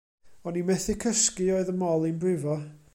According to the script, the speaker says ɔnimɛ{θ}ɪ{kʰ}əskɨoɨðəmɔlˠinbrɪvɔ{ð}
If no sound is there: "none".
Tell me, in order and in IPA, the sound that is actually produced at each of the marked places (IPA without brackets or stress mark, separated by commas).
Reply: θ, kʰ, none